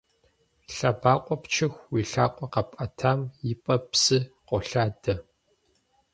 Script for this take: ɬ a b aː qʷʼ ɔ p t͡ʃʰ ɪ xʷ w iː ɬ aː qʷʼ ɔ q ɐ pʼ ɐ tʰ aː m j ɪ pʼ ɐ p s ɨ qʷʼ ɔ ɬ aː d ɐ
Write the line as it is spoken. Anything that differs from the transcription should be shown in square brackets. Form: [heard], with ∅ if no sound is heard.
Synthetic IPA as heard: ɬ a b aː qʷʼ ɔ p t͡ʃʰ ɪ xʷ w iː ɬ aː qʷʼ ɔ q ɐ pʼ ɐ tʰ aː m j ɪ pʼ ɐ p s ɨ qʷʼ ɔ ɬ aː d ɐ